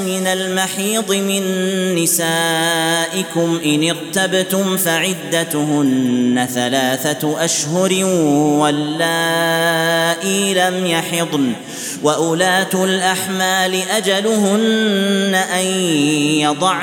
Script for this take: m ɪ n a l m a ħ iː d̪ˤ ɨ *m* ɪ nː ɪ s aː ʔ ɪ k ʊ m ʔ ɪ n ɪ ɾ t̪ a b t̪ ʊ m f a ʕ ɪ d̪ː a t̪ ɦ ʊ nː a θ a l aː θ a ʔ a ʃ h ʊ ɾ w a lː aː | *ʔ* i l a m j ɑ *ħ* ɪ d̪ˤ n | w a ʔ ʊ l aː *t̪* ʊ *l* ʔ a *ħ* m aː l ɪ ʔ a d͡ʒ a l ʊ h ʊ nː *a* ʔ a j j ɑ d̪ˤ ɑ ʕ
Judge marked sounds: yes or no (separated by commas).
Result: yes, yes, yes, yes, yes, yes, yes